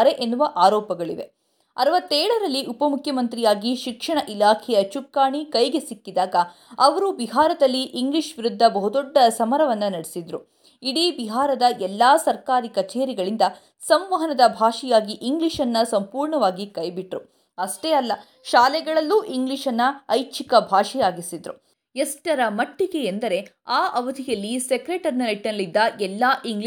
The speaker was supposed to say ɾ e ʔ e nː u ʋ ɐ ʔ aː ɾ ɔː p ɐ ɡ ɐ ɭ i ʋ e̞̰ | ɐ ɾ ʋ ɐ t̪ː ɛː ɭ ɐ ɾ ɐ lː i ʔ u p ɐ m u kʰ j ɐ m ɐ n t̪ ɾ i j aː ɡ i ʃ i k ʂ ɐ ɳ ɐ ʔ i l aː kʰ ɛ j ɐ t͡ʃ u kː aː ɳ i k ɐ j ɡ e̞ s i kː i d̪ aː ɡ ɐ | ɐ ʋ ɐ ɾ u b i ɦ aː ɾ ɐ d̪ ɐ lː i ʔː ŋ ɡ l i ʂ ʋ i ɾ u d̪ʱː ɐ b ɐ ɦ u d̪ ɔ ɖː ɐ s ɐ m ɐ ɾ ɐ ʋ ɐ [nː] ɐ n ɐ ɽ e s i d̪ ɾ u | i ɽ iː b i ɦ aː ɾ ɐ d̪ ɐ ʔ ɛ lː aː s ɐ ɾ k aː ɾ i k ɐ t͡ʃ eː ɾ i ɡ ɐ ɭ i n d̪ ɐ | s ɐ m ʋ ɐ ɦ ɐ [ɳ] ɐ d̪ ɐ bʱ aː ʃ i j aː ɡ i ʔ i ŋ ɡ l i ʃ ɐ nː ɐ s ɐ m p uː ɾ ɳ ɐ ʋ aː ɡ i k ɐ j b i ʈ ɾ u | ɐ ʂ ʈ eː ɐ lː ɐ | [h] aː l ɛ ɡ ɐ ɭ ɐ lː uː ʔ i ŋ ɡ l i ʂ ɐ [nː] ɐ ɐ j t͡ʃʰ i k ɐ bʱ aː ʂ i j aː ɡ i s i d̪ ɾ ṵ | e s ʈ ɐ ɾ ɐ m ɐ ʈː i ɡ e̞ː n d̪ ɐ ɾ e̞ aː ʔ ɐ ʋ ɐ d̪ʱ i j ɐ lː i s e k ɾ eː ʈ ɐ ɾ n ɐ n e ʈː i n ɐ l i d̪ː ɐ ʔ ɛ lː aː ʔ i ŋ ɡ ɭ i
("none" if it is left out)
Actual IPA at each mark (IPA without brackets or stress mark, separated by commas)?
nː, n, ʃ, nː